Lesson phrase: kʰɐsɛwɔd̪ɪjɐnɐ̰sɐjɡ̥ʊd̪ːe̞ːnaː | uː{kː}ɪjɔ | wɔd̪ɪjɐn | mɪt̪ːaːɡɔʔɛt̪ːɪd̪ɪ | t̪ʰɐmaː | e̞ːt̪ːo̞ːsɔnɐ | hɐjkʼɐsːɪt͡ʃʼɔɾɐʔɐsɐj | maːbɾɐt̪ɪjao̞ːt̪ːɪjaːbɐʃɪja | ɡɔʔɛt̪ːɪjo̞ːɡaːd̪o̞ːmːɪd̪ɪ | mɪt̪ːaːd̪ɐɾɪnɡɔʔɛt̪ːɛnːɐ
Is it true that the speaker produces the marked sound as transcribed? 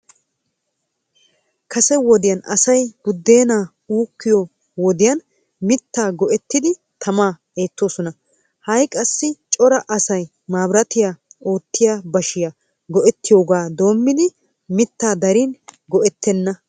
yes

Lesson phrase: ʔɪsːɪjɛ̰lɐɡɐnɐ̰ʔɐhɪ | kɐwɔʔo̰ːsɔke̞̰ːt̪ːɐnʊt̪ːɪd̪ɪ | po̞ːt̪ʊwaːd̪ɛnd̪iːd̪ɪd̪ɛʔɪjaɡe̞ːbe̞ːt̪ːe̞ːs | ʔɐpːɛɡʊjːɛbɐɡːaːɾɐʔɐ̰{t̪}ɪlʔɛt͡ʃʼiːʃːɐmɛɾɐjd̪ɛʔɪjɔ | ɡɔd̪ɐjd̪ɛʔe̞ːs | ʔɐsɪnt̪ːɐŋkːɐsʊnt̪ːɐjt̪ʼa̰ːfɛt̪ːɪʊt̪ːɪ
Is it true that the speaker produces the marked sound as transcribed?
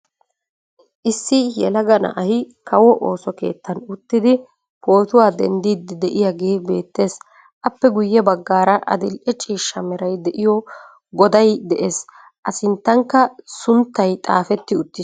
no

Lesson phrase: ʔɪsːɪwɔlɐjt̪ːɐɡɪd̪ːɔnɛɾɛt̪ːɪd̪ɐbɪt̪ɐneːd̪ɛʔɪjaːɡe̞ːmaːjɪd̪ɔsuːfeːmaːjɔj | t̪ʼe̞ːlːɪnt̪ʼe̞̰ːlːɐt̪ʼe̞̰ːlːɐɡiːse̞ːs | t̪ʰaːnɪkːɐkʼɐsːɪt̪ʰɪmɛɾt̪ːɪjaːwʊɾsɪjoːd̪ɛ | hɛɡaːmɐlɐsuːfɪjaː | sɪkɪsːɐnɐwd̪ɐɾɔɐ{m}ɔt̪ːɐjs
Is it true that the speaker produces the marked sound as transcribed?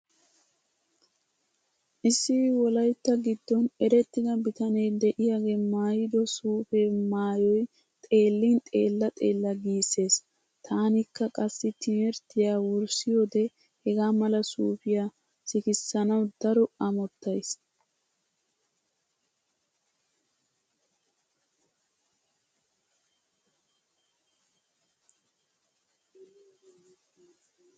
yes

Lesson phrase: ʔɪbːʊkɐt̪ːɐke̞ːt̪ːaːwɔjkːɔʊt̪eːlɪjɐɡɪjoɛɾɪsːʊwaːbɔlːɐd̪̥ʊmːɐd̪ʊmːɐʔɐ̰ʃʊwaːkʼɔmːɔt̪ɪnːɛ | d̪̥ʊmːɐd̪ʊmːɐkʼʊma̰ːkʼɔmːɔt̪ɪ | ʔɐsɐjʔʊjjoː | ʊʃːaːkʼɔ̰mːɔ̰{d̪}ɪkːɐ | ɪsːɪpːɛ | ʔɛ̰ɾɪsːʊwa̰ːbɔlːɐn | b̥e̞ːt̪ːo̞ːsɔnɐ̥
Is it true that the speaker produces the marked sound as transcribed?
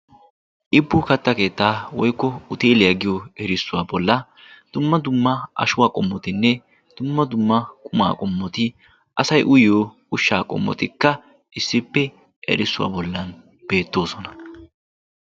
no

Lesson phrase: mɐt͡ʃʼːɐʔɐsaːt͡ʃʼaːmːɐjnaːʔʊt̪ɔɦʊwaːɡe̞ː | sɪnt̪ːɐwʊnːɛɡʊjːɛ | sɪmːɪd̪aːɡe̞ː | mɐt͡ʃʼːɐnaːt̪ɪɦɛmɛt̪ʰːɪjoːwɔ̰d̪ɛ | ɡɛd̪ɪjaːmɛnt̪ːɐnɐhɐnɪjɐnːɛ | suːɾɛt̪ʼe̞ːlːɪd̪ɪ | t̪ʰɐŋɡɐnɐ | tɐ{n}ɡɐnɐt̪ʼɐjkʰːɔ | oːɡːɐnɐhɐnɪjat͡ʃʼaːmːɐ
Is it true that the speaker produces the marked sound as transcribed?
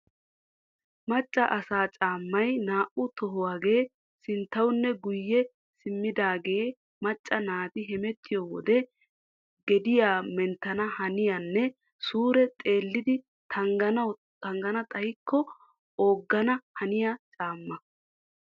no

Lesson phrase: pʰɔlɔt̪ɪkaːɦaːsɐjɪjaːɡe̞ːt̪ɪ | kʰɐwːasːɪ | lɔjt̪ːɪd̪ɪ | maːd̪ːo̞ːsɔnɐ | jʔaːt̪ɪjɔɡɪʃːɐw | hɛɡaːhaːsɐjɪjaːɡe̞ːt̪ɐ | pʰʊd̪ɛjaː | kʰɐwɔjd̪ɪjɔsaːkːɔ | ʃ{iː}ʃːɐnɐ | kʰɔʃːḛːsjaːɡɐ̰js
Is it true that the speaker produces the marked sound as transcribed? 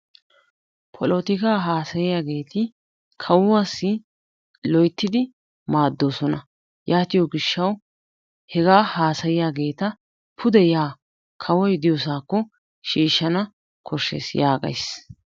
yes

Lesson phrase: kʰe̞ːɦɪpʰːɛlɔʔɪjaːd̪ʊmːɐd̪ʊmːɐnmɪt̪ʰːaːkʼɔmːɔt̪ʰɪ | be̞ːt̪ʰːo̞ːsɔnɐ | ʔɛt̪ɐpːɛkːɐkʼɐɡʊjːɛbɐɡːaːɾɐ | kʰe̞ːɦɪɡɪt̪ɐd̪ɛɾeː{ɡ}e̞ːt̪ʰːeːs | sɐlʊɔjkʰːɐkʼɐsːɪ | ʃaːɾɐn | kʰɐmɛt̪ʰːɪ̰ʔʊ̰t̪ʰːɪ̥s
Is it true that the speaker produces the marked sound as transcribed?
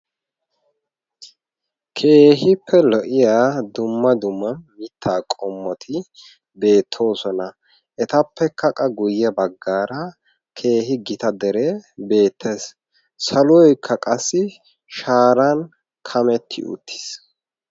no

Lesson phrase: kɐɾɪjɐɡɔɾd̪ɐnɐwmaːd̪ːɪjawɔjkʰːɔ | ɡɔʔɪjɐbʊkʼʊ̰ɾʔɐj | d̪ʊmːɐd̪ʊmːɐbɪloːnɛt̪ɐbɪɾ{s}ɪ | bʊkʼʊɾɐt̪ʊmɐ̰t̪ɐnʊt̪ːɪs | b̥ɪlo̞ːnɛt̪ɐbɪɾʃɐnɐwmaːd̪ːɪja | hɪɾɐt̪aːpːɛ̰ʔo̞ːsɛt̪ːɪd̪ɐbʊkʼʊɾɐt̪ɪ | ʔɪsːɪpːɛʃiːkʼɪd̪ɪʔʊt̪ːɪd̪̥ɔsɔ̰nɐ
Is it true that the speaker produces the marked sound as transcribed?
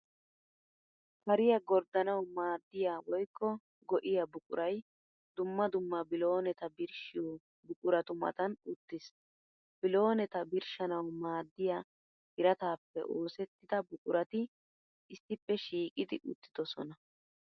no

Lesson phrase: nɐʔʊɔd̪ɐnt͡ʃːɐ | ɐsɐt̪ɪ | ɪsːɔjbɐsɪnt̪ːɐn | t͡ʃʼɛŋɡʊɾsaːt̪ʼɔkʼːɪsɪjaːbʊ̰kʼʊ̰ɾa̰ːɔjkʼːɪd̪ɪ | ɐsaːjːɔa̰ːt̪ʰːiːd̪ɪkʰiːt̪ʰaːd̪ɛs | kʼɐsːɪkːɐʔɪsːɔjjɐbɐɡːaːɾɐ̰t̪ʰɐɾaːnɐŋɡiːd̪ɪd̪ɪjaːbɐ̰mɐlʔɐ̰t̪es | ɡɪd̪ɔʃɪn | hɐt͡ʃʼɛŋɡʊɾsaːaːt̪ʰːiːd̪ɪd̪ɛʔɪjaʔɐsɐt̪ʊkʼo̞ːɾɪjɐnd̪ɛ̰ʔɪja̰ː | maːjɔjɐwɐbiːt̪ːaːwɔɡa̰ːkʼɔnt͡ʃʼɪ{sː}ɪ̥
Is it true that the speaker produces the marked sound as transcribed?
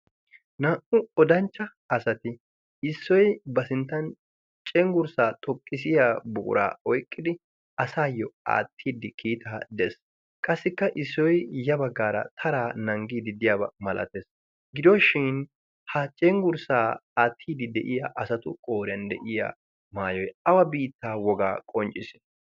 no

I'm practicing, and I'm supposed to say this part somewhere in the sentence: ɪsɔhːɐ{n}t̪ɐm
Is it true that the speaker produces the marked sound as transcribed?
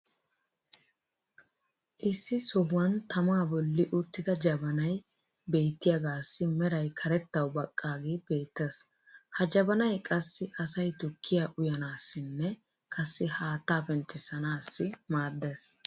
yes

